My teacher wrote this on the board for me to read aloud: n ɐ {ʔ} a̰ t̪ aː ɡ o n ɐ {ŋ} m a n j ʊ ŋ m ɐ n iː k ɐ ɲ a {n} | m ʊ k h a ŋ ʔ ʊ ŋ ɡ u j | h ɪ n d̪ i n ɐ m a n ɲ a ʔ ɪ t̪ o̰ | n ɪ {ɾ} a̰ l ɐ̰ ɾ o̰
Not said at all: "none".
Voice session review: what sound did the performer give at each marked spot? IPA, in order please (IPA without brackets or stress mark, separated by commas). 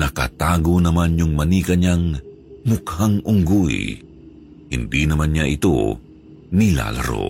k, none, ŋ, l